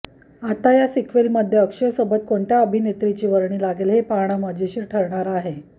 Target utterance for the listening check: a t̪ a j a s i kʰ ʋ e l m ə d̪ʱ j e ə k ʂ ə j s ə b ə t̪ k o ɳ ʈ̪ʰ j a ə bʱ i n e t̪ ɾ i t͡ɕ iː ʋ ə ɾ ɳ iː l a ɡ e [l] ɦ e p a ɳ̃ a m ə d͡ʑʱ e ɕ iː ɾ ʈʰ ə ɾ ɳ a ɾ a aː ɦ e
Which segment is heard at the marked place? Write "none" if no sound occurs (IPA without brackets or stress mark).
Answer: l